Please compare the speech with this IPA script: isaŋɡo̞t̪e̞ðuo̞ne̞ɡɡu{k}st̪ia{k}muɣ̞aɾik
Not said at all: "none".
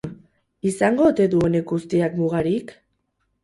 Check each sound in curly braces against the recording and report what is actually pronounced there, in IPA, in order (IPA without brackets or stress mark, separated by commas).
none, k